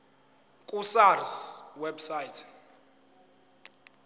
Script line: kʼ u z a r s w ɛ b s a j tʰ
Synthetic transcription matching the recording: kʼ u s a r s w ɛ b s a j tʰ